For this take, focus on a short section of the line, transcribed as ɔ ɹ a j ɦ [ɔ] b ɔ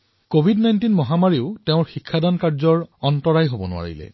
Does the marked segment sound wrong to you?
yes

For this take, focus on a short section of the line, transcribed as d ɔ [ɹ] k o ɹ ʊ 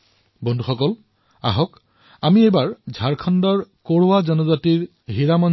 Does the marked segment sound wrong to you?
no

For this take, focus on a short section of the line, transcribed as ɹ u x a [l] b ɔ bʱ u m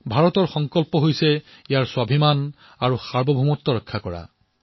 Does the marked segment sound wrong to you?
yes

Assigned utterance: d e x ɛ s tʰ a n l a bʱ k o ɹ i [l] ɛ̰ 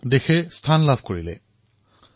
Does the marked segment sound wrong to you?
no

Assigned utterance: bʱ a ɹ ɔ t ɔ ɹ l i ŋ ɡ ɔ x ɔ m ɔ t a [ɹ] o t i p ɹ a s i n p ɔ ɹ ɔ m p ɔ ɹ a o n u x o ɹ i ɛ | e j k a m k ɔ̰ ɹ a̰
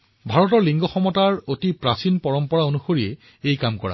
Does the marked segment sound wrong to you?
no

